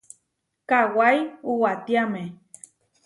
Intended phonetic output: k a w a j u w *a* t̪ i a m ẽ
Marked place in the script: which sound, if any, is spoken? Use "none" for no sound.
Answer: a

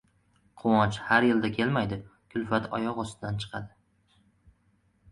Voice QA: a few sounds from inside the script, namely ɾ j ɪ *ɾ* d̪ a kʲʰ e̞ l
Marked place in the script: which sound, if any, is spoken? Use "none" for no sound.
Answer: l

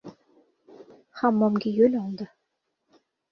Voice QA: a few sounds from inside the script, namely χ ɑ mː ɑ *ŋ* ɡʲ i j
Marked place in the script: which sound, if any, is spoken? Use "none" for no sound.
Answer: m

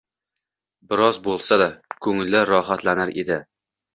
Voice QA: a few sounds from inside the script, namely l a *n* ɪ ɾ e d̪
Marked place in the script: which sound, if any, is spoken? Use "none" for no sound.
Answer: n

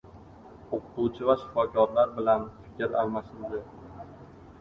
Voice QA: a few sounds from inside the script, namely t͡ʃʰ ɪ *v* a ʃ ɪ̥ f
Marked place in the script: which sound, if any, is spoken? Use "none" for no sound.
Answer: v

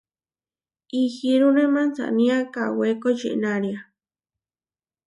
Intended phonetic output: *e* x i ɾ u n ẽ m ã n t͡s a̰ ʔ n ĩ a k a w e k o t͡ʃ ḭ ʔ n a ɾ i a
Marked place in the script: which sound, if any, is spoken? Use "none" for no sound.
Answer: i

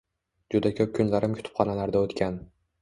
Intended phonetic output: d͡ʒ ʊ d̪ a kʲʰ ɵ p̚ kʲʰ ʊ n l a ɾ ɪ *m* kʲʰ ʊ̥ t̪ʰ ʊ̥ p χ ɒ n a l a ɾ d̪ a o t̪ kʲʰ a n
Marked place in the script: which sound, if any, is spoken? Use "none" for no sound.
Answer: m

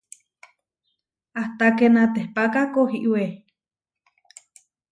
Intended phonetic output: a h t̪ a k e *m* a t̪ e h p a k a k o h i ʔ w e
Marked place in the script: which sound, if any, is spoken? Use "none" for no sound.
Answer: n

